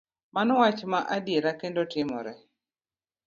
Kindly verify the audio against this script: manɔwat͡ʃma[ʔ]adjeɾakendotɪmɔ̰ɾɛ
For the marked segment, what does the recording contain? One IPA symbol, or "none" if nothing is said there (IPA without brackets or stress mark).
ʔ